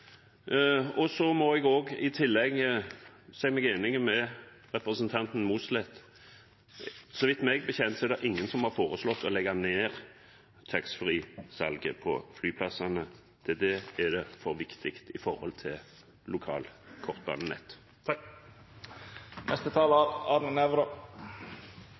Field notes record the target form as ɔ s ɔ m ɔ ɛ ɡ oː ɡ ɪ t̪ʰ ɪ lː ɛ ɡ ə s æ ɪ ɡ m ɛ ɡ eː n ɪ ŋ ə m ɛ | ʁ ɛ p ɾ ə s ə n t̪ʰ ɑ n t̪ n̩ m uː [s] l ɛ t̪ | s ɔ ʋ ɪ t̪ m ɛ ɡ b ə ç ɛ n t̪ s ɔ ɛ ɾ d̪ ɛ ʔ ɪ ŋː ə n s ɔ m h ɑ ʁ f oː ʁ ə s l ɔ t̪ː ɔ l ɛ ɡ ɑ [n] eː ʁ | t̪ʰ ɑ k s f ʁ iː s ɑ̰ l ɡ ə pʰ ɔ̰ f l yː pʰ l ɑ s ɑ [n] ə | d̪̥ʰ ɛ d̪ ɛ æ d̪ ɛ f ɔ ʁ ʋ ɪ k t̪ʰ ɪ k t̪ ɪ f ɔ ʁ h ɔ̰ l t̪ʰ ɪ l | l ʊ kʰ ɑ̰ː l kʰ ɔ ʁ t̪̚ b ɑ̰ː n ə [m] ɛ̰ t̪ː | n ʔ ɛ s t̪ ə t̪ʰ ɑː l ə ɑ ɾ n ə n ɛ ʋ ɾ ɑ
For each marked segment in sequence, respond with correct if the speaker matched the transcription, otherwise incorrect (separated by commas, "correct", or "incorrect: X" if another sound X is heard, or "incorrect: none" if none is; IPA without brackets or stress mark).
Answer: correct, correct, correct, incorrect: n